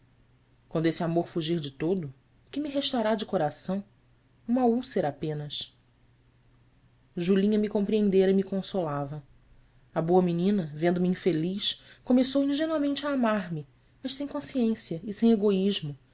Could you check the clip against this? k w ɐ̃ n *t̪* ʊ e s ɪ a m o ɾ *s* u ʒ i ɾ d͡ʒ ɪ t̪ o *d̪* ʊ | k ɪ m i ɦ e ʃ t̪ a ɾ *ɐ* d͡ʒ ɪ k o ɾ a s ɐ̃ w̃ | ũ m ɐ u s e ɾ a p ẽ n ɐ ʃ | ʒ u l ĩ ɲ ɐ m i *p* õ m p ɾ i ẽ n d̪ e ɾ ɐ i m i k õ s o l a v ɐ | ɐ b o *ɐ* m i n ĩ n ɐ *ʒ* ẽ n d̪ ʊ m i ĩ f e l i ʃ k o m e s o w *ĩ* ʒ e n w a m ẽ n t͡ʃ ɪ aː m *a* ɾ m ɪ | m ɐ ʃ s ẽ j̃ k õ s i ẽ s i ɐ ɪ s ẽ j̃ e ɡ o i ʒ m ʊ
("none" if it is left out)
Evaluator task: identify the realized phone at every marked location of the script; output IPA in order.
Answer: d̪, f, d̪, a, k, ɐ, v, ĩ, a

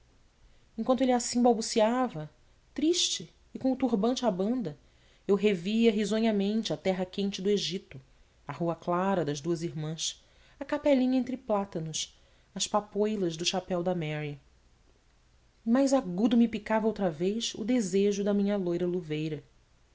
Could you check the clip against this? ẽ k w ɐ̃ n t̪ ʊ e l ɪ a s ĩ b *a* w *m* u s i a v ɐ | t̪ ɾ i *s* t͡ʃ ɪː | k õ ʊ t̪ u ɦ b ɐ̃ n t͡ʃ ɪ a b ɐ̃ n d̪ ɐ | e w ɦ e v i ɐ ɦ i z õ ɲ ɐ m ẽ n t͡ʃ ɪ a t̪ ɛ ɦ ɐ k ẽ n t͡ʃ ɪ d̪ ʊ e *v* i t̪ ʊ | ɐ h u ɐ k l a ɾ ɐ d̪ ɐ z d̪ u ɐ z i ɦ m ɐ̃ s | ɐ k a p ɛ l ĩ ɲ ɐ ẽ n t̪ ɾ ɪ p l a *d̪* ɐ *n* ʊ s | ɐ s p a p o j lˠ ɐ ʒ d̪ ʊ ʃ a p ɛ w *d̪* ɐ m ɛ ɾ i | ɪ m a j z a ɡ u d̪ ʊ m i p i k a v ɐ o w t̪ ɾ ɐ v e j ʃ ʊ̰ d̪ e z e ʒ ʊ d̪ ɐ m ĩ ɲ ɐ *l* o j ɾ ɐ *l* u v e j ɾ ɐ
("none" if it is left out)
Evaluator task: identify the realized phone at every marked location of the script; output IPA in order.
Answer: a, b, ʃ, ʒ, t̪, n, d̪, l, l

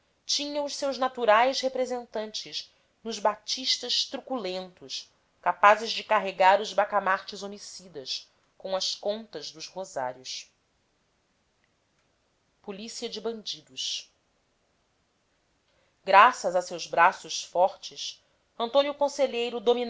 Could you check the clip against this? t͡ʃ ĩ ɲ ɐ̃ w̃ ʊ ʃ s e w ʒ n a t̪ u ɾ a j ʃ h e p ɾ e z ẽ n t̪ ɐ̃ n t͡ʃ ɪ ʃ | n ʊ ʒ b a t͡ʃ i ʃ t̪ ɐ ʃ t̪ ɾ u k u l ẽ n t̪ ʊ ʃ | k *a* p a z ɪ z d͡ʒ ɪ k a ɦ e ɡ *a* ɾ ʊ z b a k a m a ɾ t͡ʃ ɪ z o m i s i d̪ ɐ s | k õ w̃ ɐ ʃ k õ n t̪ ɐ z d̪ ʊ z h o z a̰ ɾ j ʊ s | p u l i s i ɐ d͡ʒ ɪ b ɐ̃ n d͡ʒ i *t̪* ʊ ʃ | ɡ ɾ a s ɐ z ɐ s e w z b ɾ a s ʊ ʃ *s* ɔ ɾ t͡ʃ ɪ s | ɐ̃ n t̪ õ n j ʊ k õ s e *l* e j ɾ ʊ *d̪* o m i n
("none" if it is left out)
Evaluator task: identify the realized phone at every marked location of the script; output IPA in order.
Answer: a, a, d̪, f, ʎ, d̪

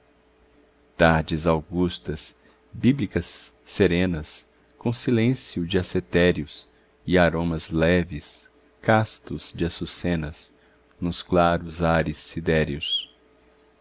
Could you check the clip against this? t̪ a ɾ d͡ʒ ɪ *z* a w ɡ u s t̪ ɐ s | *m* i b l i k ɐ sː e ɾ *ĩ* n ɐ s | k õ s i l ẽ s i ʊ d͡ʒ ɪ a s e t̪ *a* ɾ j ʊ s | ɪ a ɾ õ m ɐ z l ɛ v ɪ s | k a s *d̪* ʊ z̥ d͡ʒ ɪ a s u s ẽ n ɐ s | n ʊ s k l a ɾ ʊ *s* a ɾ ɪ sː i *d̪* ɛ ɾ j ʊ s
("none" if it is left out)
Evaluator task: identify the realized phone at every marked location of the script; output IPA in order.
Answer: z, b, ẽ, ɛ, t̪, z, d̪

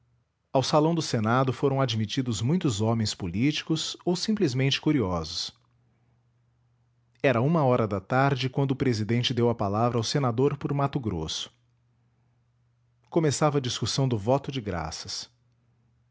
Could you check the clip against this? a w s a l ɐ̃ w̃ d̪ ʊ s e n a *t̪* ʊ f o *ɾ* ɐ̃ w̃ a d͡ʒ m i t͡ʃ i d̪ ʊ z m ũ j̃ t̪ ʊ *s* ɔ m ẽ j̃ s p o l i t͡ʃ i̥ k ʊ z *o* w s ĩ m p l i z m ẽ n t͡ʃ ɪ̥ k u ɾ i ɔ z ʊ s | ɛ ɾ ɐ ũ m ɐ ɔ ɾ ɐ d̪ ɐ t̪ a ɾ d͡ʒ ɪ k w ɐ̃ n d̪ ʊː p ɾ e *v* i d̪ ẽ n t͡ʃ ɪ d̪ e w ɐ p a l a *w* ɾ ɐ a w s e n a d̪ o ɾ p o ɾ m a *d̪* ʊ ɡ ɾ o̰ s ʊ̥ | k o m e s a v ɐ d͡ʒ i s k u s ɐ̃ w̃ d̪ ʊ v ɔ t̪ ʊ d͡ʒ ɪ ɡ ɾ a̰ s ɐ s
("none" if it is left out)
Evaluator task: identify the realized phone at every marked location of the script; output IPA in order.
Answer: d̪, ɾ, z, o, z, v, t̪

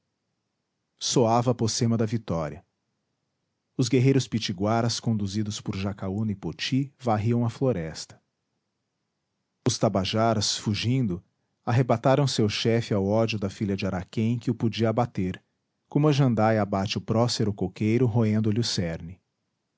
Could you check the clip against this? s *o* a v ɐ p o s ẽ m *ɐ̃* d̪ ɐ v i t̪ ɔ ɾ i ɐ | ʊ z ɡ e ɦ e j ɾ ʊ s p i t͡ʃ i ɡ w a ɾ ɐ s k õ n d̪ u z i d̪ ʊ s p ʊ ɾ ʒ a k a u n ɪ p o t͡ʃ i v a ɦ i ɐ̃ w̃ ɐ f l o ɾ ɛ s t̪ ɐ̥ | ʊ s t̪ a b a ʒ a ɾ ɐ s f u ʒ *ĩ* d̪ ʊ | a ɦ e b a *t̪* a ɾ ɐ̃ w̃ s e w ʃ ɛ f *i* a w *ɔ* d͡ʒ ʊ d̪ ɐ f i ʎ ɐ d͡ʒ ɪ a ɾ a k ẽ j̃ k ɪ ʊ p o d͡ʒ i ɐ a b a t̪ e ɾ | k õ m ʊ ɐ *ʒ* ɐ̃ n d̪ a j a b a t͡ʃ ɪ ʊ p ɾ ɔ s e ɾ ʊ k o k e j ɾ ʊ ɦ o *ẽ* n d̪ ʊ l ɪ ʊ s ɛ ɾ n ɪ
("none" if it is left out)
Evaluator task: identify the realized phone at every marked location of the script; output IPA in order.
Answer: o, ɐ, ĩ, t̪, ɪ, ɔ, ʒ, ẽ

